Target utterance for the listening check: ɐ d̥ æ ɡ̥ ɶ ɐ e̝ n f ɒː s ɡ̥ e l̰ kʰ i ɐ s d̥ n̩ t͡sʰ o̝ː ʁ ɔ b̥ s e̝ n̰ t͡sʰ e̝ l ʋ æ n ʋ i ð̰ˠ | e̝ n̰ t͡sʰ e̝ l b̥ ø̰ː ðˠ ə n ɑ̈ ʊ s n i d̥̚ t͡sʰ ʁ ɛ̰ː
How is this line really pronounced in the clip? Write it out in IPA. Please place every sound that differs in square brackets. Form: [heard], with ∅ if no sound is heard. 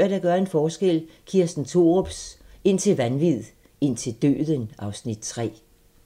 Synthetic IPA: ɐ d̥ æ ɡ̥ ɶ ɐ e̝ n f ɒː s ɡ̥ e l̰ kʰ i ɐ s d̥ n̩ t͡sʰ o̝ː ʁ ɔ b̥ s e̝ n̰ t͡sʰ e̝ l ʋ æ n ʋ i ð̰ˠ | e̝ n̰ t͡sʰ e̝ l [d̥] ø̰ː ðˠ ə n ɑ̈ ʊ s n i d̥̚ t͡sʰ ʁ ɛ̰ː